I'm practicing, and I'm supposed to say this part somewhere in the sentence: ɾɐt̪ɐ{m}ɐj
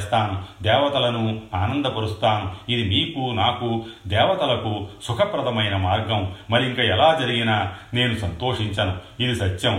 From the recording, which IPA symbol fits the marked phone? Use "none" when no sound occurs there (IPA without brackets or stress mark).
m